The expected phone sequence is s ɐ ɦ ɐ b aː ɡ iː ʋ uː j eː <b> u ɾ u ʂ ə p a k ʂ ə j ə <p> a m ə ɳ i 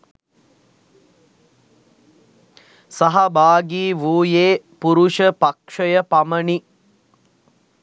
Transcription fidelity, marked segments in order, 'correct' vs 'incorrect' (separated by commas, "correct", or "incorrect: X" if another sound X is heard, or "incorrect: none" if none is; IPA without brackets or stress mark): incorrect: p, correct